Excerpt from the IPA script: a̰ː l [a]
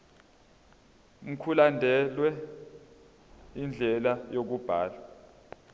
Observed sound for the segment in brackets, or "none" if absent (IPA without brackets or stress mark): a